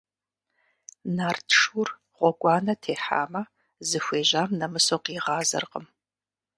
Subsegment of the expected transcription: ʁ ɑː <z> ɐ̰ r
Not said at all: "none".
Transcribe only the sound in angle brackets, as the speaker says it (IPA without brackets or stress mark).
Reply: z